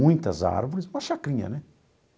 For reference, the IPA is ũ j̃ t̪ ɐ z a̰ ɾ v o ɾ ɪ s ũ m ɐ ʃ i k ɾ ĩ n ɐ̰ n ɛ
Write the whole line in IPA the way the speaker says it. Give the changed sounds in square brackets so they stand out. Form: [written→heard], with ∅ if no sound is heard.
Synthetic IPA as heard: ũ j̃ t̪ ɐ z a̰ ɾ v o ɾ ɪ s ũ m ɐ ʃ [i→a] k ɾ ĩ [n→ɲ] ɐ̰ n ɛ